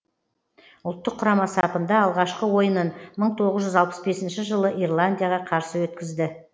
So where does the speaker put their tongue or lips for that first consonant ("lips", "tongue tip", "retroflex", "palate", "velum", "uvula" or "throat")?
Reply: tongue tip